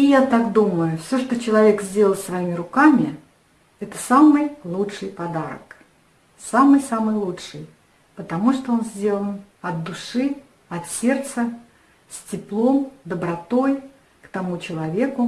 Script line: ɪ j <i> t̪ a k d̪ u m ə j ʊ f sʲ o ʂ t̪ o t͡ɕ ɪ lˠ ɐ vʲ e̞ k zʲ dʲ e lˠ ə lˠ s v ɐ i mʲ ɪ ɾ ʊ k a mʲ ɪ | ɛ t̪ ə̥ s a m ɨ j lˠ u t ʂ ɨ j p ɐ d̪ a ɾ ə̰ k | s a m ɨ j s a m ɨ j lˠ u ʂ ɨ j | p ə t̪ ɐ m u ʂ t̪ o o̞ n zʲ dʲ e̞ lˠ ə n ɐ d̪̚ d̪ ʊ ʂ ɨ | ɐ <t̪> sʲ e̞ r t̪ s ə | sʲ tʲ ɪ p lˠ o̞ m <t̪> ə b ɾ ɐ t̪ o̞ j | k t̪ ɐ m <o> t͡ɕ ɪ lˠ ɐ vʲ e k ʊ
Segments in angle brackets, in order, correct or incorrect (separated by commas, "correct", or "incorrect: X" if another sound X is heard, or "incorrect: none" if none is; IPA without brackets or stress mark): incorrect: a, correct, incorrect: d̪, incorrect: u